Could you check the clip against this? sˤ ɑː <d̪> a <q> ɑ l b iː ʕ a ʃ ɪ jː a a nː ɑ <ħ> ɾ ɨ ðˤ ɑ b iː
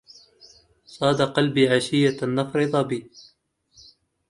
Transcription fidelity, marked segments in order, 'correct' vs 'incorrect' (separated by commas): correct, correct, incorrect